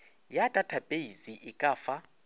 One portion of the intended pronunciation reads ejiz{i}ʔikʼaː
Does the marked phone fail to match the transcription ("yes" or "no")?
no